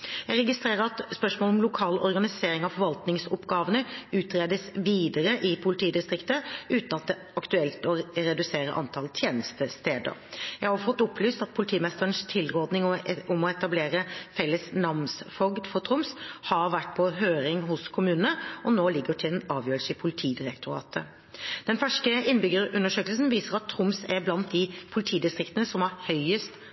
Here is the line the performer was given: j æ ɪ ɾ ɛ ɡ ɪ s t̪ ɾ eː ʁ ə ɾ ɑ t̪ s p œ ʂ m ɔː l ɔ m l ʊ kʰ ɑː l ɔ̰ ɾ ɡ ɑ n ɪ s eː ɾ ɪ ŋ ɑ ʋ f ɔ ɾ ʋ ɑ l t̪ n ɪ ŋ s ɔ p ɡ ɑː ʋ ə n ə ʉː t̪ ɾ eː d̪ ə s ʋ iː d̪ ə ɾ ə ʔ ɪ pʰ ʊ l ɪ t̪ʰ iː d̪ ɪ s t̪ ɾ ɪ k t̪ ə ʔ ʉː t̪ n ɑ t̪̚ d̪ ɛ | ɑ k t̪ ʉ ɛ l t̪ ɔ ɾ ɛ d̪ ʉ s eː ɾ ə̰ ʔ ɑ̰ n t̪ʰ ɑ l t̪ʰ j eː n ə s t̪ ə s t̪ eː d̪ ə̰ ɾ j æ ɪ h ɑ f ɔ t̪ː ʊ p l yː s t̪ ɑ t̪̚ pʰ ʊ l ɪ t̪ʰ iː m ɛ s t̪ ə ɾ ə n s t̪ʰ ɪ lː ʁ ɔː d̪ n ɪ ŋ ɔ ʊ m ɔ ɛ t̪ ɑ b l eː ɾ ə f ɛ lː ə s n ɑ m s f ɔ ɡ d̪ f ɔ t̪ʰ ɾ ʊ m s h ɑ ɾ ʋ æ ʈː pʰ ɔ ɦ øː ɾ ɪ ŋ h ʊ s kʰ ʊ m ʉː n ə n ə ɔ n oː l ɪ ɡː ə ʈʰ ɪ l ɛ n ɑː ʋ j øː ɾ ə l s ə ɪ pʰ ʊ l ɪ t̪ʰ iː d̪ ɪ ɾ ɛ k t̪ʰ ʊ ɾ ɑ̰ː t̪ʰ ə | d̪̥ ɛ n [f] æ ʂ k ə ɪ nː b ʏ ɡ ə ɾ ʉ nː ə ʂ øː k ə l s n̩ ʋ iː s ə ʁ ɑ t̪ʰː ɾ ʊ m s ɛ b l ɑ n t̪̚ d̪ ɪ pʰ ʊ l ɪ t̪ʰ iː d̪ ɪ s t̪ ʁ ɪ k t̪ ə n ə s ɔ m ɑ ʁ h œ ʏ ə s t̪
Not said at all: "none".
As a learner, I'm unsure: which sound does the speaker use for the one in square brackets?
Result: f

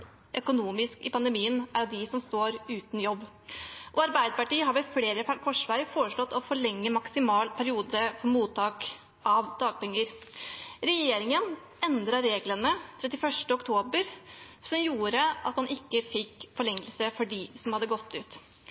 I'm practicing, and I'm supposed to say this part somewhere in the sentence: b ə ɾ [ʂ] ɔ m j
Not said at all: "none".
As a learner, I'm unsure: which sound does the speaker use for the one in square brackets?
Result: s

